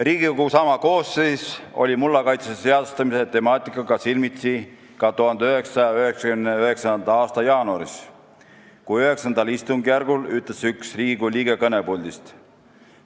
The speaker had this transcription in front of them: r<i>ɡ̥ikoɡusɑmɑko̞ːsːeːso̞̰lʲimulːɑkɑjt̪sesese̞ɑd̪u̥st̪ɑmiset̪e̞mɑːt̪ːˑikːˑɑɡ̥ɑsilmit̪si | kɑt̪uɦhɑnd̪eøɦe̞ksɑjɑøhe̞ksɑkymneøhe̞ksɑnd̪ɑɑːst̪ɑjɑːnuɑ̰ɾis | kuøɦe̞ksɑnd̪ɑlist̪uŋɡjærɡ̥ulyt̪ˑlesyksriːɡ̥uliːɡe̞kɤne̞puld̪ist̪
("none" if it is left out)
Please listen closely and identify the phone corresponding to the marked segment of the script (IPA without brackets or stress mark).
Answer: iː